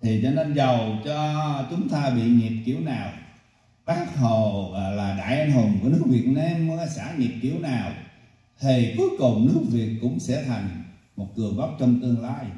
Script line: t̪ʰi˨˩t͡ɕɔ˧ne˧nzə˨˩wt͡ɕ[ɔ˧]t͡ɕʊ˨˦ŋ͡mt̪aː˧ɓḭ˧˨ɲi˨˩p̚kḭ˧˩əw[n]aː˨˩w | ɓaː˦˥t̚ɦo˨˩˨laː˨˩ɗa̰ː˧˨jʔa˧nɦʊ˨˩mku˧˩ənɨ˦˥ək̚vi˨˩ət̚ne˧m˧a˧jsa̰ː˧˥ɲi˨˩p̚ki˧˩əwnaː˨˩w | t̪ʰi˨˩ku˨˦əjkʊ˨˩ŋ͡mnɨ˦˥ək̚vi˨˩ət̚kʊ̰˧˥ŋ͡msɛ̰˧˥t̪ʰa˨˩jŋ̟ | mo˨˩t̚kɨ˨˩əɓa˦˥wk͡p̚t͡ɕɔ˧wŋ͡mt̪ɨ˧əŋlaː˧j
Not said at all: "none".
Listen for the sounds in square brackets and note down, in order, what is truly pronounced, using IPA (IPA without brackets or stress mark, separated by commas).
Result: ɔ˧, n